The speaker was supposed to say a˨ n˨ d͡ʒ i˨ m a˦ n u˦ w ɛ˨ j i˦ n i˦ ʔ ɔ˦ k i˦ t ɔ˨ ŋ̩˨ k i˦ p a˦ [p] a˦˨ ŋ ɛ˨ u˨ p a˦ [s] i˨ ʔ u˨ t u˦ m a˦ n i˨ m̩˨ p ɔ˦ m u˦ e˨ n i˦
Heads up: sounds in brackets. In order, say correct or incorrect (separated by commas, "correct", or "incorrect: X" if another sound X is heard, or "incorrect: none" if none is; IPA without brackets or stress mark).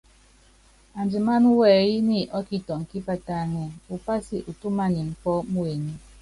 incorrect: t, correct